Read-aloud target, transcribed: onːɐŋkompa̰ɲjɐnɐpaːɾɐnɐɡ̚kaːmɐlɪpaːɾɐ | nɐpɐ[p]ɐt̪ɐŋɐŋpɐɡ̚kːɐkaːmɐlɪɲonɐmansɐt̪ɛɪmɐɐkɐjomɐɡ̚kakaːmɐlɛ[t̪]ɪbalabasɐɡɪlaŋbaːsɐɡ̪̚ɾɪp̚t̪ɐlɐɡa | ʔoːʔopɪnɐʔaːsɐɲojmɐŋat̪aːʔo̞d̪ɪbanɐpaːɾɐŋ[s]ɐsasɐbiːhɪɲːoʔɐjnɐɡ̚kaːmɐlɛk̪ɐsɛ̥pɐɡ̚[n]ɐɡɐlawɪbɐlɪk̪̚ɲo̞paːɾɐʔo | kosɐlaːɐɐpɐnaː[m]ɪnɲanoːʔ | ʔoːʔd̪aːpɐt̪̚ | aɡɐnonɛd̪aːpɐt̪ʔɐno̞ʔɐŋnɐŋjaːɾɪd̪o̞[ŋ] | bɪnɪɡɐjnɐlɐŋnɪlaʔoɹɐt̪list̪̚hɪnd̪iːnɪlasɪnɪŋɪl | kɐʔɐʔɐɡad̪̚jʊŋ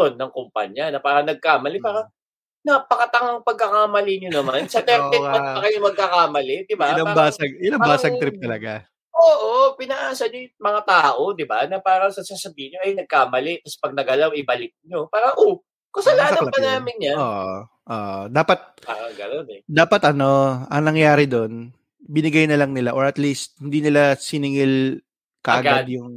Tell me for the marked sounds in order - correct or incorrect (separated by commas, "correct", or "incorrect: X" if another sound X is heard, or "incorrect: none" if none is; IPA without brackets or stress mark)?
incorrect: k, incorrect: d̪, correct, correct, correct, incorrect: n